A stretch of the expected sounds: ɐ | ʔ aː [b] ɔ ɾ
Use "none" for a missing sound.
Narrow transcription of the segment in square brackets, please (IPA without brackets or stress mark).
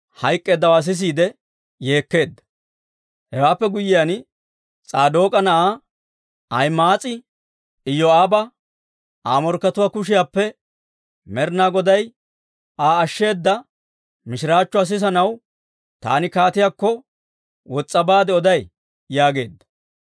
m